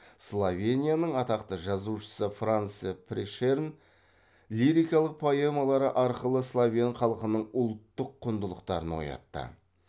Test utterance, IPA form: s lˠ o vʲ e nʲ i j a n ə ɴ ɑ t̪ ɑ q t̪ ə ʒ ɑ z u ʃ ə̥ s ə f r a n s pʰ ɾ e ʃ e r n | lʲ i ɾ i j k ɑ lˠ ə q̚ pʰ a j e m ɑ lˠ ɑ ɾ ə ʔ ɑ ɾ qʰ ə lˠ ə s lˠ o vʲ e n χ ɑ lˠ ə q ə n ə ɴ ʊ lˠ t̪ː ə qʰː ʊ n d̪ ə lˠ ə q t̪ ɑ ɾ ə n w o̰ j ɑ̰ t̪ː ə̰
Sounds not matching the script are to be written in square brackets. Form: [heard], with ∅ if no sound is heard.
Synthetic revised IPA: s lˠ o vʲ e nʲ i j a n ə ɴ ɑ t̪ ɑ q t̪ ə ʒ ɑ z u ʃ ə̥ s ə f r a n s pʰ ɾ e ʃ e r n | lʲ i ɾ i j k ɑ lˠ ə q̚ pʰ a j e m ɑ lˠ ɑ ɾ ə ʔ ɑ ɾ [q] ə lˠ ə s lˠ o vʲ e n χ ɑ lˠ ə q ə n ə ɴ ʊ lˠ t̪ː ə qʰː ʊ n d̪ ə lˠ ə q t̪ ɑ ɾ ə n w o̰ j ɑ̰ t̪ː ə̰

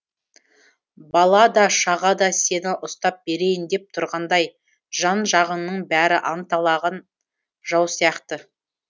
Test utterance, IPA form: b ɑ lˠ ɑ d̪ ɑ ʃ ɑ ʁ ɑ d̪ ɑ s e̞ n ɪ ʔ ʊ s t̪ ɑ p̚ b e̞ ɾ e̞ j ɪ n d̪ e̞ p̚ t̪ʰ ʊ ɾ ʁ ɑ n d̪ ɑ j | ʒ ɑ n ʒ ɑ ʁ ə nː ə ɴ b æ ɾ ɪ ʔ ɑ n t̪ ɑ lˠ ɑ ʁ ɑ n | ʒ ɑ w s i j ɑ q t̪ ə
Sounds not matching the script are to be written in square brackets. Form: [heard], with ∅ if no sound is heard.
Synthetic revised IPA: b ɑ lˠ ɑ d̪ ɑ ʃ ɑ ʁ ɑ d̪ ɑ s e̞ n ɪ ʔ ʊ s t̪ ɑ p̚ b e̞ ɾ e̞ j ɪ n d̪ e̞ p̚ t̪ʰ ʊ ɾ ʁ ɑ n d̪ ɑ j | ʒ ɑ n ʒ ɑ ʁ ə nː ə ɴ b æ ɾ ɪ ʔ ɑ n t̪ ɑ lˠ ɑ ʁ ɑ n | ʒ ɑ w s i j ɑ q t̪ ə

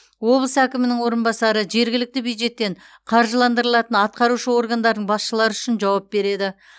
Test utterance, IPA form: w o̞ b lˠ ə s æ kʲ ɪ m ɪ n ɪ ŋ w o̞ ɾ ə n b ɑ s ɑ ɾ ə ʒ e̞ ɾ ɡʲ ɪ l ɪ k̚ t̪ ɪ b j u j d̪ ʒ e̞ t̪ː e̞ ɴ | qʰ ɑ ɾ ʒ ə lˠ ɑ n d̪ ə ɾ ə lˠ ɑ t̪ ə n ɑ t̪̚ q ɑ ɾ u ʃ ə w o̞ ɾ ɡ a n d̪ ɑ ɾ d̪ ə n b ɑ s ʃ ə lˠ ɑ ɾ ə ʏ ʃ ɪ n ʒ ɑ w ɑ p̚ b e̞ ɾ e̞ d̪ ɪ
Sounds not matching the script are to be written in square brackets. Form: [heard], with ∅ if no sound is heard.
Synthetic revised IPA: w o̞ b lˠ ə s æ kʲ ɪ m ɪ n ɪ ŋ w o̞ ɾ ə n b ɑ s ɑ ɾ ə ʒ e̞ ɾ ɡʲ ɪ l ɪ k̚ t̪ ɪ b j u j d̪ ʒ e̞ t̪ː e̞ ɴ | qʰ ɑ ɾ ʒ ə lˠ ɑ n d̪ ə ɾ ə lˠ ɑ t̪ ə n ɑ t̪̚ q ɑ ɾ u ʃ ə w o̞ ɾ ɡ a n d̪ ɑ ɾ d̪ ə [ɴ] b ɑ s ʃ ə lˠ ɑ ɾ ə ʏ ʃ ɪ n ʒ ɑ w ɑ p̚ b e̞ ɾ e̞ d̪ ɪ

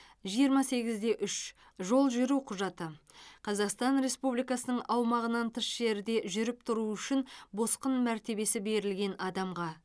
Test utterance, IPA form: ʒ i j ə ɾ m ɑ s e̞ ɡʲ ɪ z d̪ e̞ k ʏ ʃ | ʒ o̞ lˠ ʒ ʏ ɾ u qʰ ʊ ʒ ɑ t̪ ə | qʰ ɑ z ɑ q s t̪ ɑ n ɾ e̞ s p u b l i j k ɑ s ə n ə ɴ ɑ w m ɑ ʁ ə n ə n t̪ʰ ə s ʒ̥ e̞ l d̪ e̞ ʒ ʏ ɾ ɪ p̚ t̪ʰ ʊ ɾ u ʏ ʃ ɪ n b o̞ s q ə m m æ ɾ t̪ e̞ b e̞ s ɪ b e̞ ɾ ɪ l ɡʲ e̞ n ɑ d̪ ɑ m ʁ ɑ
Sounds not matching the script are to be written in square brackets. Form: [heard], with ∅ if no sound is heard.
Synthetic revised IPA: ʒ i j ə ɾ m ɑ s e̞ ɡʲ ɪ z d̪ e̞ [ʔ] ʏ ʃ | ʒ o̞ lˠ ʒ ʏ ɾ u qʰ ʊ ʒ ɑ t̪ ə | qʰ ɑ z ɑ q s t̪ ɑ n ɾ e̞ s p u b l i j k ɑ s ə n ə ɴ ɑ w m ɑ ʁ ə n [ɑ] n t̪ʰ ə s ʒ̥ e̞ [ɾ] d̪ e̞ ʒ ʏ ɾ ɪ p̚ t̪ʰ ʊ ɾ u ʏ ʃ ɪ n b o̞ s q ə [n] m æ ɾ t̪ e̞ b e̞ s ɪ b e̞ ɾ ɪ l ɡʲ e̞ n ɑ d̪ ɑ m ʁ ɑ

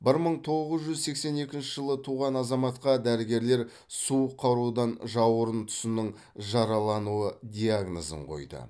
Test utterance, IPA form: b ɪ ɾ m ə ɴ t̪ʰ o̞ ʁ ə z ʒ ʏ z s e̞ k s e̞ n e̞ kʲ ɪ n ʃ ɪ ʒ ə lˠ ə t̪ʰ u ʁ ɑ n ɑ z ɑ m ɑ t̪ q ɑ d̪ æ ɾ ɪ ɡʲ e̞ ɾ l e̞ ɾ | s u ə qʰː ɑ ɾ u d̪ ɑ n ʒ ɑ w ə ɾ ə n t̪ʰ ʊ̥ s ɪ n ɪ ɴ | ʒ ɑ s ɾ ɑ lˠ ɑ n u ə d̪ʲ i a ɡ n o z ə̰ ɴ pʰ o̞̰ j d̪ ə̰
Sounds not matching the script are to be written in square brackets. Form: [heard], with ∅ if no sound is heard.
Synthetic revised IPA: b ɪ ɾ m ə ɴ t̪ʰ o̞ ʁ ə z ʒ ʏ z s e̞ k s e̞ n e̞ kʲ ɪ n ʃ ɪ ʒ ə lˠ ə t̪ʰ u ʁ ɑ n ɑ z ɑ m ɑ t̪ q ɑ d̪ æ ɾ ɪ ɡʲ e̞ ɾ l e̞ ɾ | s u ə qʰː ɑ ɾ u d̪ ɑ n ʒ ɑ w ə ɾ ə n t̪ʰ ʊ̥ s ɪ n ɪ ɴ | ʒ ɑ [∅] ɾ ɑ lˠ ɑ n u ə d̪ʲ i a ɡ n o z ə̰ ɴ [qʰ] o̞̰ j d̪ ə̰

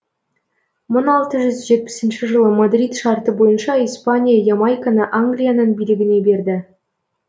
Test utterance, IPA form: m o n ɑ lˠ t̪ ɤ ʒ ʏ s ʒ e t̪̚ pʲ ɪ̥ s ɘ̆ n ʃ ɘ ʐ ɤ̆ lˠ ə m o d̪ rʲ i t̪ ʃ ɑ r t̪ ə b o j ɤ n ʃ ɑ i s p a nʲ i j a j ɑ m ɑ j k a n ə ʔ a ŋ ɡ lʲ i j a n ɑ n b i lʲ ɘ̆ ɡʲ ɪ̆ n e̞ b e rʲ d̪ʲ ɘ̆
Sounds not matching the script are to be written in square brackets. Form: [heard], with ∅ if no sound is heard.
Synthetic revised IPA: m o n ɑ lˠ t̪ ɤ ʒ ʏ [z] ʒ e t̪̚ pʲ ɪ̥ s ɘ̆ n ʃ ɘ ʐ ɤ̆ lˠ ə m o d̪ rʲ i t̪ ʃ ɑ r t̪ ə b o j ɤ n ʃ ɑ i s p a nʲ i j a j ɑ m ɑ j k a n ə ʔ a ŋ ɡ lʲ i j a n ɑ n b i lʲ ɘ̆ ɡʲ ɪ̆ n e̞ b e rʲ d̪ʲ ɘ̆

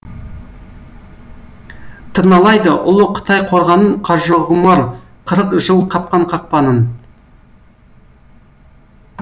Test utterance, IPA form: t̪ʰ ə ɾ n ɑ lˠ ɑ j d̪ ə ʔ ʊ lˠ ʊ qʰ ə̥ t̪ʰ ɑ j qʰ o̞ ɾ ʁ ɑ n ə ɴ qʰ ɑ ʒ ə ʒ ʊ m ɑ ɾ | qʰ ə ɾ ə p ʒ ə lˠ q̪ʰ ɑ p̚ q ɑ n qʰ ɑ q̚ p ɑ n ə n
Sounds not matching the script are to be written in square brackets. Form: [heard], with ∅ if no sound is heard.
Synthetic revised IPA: t̪ʰ ə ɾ n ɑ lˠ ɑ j d̪ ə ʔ ʊ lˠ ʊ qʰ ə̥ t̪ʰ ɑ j qʰ o̞ ɾ ʁ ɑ n ə ɴ qʰ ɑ ʒ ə [ʁ] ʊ m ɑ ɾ | qʰ ə ɾ ə [q] ʒ ə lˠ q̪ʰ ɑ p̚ q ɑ [ɴ] qʰ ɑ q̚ p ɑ n ə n

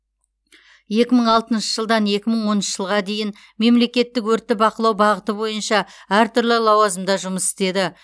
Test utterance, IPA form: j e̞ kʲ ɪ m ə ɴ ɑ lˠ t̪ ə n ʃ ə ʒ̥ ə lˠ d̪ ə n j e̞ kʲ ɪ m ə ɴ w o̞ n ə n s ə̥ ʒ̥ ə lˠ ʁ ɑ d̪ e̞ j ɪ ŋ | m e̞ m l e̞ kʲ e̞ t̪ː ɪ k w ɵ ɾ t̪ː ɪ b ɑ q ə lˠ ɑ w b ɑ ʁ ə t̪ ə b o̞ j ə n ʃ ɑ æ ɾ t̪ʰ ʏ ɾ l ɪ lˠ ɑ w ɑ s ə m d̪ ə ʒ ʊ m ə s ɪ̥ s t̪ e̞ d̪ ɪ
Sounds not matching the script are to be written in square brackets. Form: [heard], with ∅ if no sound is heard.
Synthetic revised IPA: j e̞ kʲ ɪ m ə ɴ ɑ lˠ t̪ ə n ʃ ə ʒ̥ ə lˠ d̪ [ɑ] n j e̞ kʲ ɪ m ə ɴ w o̞ n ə n [ʃ] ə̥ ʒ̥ ə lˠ ʁ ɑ d̪ e̞ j ɪ [n] | m e̞ m l e̞ kʲ e̞ t̪ː ɪ k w ɵ ɾ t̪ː ɪ b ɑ q ə lˠ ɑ w b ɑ ʁ ə t̪ ə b o̞ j ə n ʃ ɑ æ ɾ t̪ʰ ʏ ɾ l ɪ lˠ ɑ w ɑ [z] ə m d̪ [ɑ] ʒ ʊ m ə s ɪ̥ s t̪ e̞ d̪ ɪ

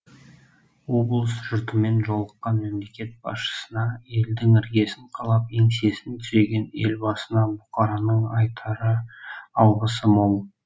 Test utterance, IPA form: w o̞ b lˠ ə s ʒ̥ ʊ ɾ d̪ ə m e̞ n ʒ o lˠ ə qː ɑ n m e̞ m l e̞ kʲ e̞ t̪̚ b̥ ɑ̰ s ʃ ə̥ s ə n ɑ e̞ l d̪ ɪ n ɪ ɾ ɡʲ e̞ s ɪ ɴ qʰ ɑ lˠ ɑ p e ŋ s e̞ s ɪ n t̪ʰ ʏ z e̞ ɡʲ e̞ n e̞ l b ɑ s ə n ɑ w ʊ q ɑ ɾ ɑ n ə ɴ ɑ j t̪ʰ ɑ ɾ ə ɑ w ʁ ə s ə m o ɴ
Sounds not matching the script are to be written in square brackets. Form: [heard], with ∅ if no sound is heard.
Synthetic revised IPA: w o̞ b lˠ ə s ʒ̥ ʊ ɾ [t̪] ə m e̞ n ʒ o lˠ ə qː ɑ n m e̞ m l e̞ kʲ e̞ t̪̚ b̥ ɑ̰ s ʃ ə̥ s ə n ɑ e̞ l d̪ ɪ [ŋ] ɪ ɾ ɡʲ e̞ s ɪ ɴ qʰ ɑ lˠ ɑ p e ŋ s e̞ s ɪ n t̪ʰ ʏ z e̞ ɡʲ e̞ n e̞ l b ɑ s ə n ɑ [b] ʊ q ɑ ɾ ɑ n ə ɴ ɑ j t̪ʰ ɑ ɾ ə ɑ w ʁ ə s ə m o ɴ

